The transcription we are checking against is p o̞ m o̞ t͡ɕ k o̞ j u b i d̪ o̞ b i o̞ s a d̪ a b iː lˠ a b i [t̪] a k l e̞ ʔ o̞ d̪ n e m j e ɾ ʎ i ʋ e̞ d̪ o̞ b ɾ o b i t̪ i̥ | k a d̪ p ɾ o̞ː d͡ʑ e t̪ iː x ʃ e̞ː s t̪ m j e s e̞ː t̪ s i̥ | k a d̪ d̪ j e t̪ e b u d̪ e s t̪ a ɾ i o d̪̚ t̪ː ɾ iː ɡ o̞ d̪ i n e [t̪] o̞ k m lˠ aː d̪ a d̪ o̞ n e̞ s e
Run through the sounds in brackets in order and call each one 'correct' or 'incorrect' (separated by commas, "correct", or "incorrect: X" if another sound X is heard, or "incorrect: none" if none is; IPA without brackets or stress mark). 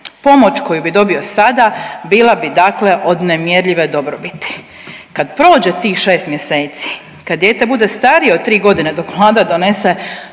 incorrect: d̪, incorrect: d̪